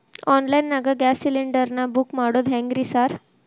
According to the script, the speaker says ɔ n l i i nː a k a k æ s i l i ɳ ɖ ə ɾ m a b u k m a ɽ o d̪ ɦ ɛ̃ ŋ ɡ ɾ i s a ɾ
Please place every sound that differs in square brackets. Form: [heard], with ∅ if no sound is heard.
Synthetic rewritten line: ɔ n l [a] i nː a [ɡ] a [ɡ] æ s i l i ɳ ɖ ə ɾ [n] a b u k m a ɽ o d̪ ɦ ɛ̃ ŋ ɡ ɾ i s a ɾ